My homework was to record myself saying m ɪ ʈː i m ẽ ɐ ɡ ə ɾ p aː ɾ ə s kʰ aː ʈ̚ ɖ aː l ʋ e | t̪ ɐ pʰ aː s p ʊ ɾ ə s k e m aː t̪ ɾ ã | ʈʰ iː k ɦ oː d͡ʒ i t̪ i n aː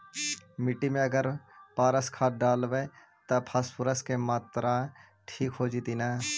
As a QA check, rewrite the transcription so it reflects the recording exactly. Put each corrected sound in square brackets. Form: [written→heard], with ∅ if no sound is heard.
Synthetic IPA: m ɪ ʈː i m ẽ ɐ ɡ ə ɾ p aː ɾ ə s kʰ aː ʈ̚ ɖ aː l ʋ e | t̪ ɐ pʰ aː s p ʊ ɾ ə s k e m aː t̪ ɾ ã | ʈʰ iː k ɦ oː d͡ʒ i t̪ i n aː